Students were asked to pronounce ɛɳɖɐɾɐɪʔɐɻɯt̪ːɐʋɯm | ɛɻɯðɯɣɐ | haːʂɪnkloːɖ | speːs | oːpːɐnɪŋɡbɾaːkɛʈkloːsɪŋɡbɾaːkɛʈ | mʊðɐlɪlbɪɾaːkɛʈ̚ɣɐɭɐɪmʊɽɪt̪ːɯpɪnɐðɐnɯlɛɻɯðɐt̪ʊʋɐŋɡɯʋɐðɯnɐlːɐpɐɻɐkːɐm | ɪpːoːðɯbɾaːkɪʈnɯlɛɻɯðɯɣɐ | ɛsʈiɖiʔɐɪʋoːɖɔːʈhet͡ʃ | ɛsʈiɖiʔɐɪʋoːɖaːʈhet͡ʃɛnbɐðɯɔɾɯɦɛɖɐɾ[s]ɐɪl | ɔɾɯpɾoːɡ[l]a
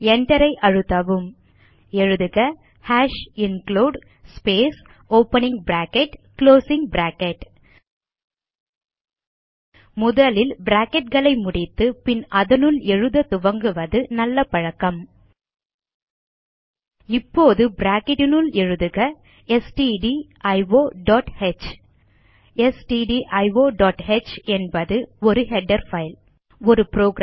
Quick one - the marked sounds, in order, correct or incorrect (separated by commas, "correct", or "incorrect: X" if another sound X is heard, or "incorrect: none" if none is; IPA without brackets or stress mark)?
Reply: incorrect: f, incorrect: ɾ